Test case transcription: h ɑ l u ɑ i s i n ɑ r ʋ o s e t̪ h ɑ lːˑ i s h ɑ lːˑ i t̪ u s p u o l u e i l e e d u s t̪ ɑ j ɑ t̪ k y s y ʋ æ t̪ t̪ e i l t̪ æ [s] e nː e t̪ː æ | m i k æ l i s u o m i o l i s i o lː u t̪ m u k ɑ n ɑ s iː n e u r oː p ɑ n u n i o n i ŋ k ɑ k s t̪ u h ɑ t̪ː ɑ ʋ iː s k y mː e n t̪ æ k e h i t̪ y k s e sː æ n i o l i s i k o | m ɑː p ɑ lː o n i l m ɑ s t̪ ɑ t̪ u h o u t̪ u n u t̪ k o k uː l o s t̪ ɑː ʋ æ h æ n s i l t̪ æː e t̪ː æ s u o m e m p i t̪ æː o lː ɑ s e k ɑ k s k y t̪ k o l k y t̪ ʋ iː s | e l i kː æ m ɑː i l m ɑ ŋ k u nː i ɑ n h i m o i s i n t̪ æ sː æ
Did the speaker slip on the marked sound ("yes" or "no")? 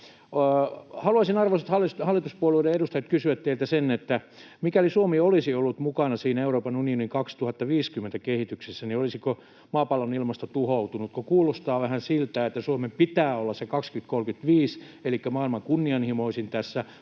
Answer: no